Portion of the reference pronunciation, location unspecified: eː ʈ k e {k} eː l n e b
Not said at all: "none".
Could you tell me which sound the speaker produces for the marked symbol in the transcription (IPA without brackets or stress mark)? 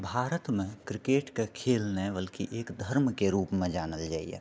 kʰ